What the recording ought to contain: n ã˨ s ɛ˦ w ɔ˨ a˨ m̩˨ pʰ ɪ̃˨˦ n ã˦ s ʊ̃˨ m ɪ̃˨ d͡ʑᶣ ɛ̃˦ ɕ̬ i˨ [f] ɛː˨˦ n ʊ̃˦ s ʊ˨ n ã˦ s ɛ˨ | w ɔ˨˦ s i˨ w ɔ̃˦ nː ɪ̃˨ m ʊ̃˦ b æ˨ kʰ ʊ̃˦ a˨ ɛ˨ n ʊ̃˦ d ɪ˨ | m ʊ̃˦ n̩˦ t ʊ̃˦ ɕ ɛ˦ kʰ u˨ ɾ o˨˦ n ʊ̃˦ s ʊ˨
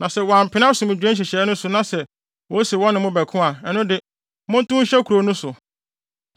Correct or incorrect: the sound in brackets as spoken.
incorrect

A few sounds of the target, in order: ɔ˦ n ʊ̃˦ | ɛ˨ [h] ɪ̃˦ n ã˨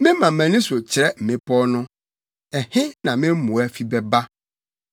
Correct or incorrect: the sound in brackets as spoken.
correct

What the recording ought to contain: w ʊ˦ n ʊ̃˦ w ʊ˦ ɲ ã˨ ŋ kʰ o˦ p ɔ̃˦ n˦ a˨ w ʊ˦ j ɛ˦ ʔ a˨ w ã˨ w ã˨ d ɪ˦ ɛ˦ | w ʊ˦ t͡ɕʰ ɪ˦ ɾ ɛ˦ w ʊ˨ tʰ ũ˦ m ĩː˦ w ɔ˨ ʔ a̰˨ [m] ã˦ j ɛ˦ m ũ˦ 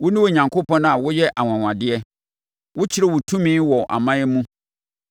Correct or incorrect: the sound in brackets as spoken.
correct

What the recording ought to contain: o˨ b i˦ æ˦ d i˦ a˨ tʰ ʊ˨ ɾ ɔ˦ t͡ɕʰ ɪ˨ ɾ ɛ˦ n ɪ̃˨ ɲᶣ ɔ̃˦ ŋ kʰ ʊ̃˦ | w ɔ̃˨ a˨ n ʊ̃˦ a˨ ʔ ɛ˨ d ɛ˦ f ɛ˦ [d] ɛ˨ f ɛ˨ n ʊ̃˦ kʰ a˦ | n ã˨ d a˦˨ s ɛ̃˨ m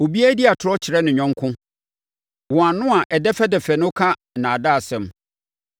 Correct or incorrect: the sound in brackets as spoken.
correct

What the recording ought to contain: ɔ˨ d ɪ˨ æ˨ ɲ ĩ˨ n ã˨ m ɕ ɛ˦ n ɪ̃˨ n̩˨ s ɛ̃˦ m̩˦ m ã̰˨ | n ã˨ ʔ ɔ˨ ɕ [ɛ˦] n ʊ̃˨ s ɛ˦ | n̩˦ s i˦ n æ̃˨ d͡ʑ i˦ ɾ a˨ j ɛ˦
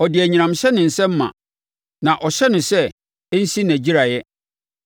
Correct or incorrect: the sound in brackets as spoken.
correct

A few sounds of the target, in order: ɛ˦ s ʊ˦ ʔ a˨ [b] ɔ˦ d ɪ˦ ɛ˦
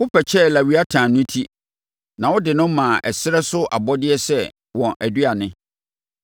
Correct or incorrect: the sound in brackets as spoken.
correct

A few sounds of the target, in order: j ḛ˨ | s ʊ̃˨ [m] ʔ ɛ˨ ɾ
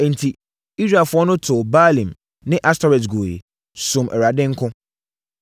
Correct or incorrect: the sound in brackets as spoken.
correct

